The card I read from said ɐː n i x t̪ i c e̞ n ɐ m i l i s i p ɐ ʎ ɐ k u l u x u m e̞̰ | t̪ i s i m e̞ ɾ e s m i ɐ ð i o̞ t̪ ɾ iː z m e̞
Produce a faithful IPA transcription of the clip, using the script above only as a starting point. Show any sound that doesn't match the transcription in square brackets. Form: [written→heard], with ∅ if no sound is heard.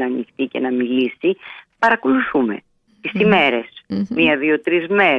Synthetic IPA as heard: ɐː n i x t̪ i c e̞ n ɐ m i l i s i p ɐ [ʎ→ɾ] ɐ k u l u [x→θ] u m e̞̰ | t̪ i s i m e̞ ɾ e s m i ɐ ð i o̞ t̪ ɾ [iː→i] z m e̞